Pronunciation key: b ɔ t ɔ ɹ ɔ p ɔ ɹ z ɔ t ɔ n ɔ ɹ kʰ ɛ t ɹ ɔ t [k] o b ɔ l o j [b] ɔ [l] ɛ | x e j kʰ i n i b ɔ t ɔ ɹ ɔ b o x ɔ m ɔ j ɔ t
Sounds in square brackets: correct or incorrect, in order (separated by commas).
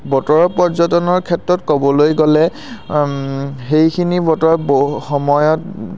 correct, incorrect, correct